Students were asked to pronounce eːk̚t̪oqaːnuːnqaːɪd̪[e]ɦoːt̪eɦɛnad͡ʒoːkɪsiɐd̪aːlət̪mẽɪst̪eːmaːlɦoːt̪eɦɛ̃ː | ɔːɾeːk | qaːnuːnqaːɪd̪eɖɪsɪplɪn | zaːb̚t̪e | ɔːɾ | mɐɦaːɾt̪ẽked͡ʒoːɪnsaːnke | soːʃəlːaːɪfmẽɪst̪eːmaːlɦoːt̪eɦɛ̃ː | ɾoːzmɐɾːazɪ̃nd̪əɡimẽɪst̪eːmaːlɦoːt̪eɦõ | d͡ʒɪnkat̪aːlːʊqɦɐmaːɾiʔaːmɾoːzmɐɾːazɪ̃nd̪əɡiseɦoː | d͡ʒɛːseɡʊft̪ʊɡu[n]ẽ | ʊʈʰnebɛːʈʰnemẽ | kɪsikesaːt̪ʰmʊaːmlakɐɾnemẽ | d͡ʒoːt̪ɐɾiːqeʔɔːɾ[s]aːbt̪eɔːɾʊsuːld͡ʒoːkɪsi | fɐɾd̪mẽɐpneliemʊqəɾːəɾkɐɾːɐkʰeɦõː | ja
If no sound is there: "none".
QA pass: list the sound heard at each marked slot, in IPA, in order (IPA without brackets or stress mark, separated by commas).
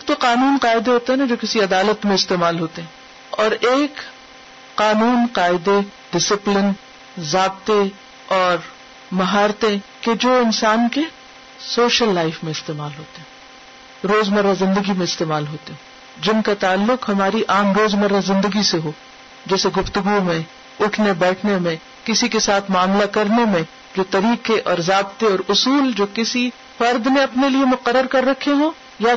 e, m, z